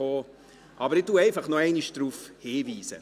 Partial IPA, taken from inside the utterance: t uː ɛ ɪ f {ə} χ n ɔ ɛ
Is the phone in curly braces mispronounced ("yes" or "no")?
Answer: yes